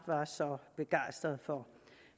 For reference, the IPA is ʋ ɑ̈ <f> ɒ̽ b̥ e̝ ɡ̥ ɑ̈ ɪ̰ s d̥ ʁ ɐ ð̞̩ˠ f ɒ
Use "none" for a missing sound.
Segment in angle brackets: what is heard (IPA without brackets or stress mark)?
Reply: s